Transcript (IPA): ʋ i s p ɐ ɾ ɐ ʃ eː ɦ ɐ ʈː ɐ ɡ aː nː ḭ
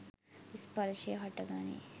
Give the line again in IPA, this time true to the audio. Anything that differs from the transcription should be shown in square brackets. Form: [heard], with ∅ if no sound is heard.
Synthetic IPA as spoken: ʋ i s p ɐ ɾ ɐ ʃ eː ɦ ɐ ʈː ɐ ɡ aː [n] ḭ